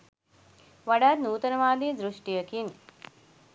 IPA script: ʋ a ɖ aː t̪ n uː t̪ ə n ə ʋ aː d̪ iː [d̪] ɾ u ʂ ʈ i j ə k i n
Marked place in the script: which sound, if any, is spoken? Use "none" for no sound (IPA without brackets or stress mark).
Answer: d̪